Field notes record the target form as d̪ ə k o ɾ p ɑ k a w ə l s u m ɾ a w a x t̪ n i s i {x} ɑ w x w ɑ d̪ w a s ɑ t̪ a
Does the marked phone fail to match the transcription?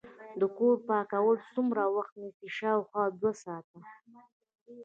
yes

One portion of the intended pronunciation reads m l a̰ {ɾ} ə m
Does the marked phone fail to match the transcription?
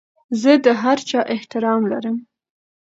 no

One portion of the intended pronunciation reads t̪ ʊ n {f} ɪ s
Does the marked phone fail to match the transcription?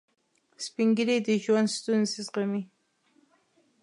yes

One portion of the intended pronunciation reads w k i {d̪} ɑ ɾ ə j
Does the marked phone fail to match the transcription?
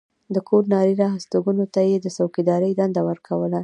no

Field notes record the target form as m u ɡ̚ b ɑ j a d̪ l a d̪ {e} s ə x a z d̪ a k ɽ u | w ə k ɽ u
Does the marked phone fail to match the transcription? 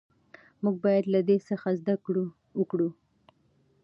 no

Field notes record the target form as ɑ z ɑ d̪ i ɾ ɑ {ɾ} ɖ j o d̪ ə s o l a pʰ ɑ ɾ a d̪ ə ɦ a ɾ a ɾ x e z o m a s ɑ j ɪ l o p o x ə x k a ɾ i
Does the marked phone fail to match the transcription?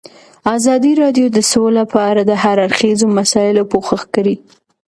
yes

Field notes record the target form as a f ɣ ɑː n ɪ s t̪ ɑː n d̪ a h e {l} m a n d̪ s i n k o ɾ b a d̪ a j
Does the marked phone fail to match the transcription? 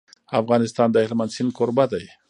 no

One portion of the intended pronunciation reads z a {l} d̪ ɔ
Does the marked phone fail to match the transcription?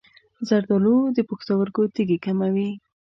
yes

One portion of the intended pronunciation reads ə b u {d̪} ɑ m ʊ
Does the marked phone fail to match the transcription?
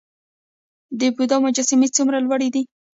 no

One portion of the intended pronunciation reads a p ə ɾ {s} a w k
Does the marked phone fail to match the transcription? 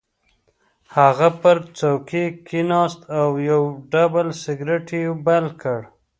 yes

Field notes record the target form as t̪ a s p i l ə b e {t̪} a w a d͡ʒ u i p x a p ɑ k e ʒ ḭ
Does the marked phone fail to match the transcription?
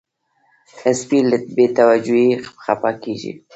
no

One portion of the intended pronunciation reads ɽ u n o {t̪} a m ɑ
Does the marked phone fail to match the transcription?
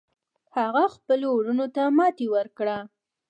no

